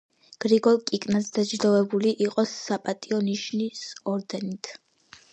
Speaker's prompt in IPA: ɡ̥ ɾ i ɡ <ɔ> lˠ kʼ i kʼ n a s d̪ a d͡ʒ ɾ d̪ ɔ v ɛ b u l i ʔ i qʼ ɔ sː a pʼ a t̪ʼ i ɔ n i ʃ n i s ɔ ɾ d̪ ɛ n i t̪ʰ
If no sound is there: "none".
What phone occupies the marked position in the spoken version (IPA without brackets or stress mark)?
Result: ɔ